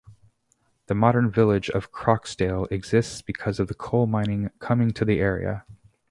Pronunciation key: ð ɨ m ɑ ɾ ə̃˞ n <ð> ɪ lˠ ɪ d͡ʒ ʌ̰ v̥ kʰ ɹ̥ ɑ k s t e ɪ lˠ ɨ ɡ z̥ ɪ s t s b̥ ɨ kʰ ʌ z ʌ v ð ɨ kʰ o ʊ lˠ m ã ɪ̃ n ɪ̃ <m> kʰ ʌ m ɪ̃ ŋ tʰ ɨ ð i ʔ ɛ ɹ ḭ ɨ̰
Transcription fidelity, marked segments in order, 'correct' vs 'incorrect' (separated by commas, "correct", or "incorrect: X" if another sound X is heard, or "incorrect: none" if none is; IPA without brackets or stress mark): incorrect: v, incorrect: ŋ